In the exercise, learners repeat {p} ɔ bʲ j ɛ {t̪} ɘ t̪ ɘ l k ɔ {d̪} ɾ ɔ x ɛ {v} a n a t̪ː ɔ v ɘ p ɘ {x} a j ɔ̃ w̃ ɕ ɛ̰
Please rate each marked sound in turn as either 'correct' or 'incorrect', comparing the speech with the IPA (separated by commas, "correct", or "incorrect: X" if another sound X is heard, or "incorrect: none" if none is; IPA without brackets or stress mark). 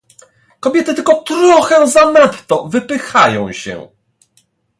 incorrect: k, correct, incorrect: t̪, incorrect: z, correct